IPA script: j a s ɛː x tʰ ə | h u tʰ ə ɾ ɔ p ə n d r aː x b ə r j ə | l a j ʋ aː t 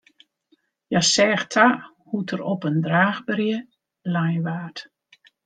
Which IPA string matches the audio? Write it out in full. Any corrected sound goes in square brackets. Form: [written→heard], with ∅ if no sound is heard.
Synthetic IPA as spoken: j a s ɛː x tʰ [ə→a] | h u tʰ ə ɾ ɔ p ə n d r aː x b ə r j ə | l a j ʋ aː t